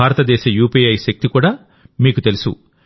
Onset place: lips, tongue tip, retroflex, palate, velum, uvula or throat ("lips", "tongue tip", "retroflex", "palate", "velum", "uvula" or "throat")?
tongue tip